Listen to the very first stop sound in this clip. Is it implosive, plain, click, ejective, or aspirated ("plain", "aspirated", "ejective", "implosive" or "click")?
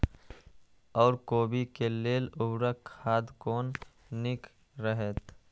plain